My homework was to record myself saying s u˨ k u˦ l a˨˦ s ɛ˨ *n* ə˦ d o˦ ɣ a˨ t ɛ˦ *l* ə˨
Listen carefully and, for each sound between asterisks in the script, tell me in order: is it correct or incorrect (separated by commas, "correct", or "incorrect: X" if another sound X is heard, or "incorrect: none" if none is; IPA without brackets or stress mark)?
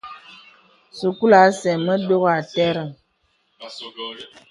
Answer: incorrect: m, incorrect: ɾ